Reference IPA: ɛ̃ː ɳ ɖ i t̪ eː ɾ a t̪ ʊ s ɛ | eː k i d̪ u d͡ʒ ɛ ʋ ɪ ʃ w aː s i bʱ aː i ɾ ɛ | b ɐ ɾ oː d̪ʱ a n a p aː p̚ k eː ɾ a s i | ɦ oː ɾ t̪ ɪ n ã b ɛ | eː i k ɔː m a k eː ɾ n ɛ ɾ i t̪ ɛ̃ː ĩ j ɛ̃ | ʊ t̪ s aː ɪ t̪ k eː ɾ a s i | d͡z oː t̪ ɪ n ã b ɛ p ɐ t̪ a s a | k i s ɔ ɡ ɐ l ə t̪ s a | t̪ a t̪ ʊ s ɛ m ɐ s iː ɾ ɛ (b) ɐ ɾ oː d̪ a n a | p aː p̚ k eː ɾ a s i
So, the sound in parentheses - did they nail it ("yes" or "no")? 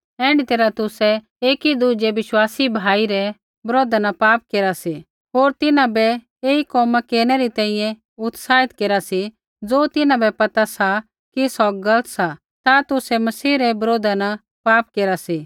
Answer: yes